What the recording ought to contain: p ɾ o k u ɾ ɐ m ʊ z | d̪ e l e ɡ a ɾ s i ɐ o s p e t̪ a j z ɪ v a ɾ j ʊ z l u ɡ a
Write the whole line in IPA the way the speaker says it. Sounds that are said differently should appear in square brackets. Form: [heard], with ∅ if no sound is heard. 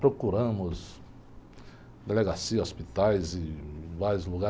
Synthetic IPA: p ɾ o k u ɾ [ɐ̃] m ʊ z | d̪ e l e ɡ a [∅] s i ɐ o s p [i] t̪ a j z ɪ v a ɾ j ʊ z l u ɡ a

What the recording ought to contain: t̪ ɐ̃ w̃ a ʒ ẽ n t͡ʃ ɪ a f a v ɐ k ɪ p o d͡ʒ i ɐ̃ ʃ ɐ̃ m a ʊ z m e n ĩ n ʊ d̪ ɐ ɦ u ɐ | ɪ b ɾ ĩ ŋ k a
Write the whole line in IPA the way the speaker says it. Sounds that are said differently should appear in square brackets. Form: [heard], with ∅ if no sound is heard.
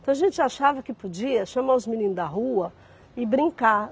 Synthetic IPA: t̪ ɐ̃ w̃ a ʒ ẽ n t͡ʃ ɪ a [ʃ] a v ɐ k ɪ p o d͡ʒ i [ɐ] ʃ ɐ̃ m a ʊ z m [i] n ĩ n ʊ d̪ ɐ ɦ u ɐ | ɪ b ɾ ĩ ŋ k a

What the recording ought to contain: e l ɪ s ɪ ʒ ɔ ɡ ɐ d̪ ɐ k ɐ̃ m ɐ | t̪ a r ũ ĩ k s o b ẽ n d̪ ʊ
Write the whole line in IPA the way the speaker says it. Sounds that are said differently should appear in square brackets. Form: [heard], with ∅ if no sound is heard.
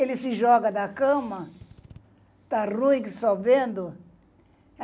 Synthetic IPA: e l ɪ s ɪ ʒ ɔ ɡ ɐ d̪ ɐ k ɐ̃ m ɐ | t̪ a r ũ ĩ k s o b ẽ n d̪ ʊ

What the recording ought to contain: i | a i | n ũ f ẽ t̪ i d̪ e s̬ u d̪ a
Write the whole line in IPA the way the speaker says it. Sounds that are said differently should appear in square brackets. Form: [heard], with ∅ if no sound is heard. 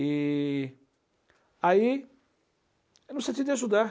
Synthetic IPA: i | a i | n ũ [s] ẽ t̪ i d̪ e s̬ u d̪ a

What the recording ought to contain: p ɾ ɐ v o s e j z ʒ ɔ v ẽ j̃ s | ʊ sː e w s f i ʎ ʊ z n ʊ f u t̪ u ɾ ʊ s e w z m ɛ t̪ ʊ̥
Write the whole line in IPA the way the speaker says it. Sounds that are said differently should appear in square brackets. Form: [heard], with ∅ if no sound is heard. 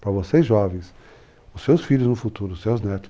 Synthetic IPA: p ɾ ɐ v o s e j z ʒ ɔ v ẽ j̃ s | ʊ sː e w s f i ʎ ʊ z n ʊ f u t̪ u ɾ ʊ s e w z [n] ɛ t̪ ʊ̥

